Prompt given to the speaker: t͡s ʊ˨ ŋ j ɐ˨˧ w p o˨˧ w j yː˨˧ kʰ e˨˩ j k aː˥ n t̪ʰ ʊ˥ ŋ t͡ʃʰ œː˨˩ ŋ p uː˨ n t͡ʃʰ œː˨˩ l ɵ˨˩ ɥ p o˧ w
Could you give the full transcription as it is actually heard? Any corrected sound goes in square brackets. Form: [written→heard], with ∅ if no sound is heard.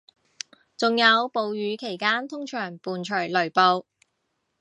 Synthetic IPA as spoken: t͡s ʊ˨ ŋ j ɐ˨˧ w p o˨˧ w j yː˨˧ kʰ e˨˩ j k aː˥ n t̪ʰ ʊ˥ ŋ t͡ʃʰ œː˨˩ ŋ p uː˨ n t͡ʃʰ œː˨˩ l ɵ˨˩ ɥ p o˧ w